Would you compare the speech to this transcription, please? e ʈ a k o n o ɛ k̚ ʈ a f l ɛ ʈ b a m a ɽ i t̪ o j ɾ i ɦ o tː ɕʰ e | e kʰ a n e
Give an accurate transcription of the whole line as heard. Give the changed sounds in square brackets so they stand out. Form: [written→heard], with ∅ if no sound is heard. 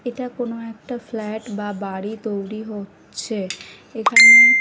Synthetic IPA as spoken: e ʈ a k o n o ɛ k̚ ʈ a f l ɛ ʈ b a [m→b] a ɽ i t̪ o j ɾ i ɦ o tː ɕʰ e | e kʰ a n e